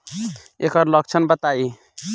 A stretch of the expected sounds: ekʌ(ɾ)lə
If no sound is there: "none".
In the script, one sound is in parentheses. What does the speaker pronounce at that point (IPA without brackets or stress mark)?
ɾ